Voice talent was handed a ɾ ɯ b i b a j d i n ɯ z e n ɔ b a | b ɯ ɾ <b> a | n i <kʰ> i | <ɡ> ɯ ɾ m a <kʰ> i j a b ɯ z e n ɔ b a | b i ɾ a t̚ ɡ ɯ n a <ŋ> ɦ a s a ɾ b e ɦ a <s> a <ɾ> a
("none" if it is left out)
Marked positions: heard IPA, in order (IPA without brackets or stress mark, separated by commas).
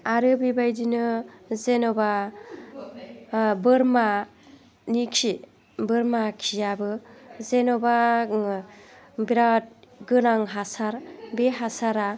m, kʰ, b, kʰ, ŋ, s, ɾ